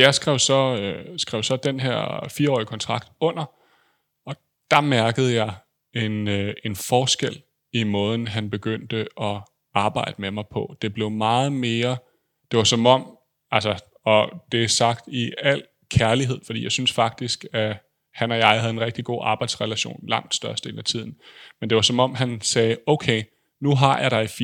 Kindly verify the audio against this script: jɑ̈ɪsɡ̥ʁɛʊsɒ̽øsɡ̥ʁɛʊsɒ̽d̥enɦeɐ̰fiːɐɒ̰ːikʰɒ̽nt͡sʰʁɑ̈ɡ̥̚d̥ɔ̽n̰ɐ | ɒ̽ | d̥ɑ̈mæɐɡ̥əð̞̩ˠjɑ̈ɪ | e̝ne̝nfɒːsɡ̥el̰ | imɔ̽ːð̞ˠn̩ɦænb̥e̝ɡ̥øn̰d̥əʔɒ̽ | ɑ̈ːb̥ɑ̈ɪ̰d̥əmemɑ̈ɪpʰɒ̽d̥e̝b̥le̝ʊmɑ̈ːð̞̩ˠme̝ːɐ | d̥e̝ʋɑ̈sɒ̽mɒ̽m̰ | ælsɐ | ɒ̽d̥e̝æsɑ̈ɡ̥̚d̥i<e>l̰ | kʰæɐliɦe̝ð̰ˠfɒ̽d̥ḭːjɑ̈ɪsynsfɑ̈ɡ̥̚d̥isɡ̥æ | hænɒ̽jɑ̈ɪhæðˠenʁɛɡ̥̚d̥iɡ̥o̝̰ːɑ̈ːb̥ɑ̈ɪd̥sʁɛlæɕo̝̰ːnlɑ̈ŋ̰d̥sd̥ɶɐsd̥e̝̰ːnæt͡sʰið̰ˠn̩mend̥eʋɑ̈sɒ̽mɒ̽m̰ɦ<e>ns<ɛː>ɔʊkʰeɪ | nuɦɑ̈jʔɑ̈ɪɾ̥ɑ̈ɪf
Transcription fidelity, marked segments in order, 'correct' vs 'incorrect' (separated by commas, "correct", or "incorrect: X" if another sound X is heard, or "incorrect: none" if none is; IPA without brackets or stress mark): incorrect: æ, incorrect: æ, correct